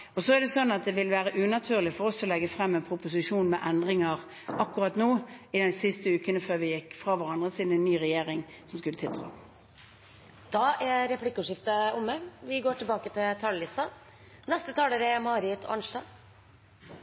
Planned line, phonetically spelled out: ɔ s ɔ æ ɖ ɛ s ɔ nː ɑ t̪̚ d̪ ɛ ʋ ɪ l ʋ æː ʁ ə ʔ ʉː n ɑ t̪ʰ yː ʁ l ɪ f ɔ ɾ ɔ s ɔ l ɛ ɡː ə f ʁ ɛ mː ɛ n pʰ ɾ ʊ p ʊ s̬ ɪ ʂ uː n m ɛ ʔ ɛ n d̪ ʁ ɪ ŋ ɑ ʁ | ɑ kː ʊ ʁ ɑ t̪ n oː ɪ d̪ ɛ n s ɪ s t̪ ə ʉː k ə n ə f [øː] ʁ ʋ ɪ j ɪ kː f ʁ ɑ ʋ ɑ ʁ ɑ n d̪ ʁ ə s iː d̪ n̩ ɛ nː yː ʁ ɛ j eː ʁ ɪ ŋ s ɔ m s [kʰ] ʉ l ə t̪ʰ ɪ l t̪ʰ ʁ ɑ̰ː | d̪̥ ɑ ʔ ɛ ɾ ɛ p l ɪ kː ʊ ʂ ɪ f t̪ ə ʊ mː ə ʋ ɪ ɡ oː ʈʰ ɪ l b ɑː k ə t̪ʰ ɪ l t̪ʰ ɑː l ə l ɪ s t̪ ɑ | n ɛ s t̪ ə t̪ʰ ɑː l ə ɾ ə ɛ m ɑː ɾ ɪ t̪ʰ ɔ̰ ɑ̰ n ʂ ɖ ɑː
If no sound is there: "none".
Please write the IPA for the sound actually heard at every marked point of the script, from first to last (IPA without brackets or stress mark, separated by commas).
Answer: øː, k